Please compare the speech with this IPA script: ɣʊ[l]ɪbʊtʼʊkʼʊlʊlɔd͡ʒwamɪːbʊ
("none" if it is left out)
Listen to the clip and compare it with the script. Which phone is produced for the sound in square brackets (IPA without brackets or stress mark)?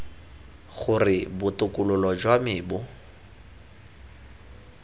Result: r